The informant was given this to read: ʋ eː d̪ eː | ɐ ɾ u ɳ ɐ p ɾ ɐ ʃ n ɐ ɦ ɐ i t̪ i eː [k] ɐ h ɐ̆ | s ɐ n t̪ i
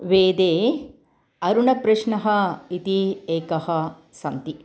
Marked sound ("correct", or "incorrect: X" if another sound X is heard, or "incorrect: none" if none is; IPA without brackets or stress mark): correct